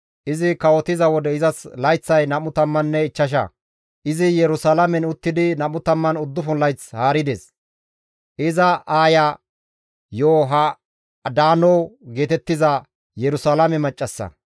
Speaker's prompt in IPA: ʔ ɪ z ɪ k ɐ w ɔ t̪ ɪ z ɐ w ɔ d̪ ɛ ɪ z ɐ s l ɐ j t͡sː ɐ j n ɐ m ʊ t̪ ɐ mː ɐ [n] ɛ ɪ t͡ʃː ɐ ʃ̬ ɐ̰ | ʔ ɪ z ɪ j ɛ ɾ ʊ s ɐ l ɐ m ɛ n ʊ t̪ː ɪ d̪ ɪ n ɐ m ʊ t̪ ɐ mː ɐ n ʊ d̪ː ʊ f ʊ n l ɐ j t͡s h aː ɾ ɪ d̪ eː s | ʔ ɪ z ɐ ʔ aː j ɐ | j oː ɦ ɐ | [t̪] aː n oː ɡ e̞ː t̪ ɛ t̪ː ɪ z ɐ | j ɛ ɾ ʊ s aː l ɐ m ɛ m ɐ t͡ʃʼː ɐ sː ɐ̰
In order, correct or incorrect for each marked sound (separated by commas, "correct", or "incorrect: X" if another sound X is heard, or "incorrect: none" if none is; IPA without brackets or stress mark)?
incorrect: nː, incorrect: d̪